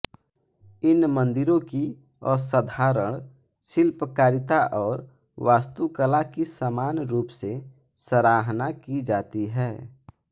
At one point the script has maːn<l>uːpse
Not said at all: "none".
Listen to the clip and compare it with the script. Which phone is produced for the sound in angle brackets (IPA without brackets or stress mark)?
ɾ